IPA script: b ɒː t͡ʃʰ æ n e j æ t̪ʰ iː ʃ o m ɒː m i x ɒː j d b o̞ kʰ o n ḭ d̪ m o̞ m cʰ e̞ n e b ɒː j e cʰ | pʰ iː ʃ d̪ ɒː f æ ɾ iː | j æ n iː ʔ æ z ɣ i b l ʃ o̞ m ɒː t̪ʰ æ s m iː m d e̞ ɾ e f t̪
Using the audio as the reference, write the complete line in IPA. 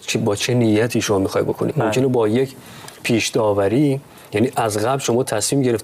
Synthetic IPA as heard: b ɒː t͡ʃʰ e n i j æ t̪ʰ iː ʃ o m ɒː m i x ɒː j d b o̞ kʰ o n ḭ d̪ m o̞ m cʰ e̞ n e b ɒː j e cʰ | pʰ iː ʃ d̪ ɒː v æ ɾ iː | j æ n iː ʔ æ z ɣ æ b l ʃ o̞ m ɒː t̪ʰ æ s m iː m ɟ e̞ ɾ e f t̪